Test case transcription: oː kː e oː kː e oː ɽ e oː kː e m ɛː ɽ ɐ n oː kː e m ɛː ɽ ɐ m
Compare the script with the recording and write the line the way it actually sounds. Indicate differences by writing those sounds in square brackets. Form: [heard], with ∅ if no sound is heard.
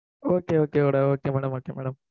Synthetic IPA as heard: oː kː e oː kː e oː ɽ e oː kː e m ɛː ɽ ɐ [m] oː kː e m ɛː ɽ ɐ m